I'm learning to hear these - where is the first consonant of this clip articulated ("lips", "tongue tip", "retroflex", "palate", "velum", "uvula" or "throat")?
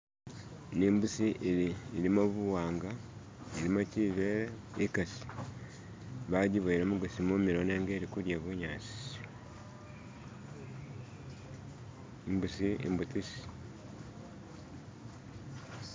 tongue tip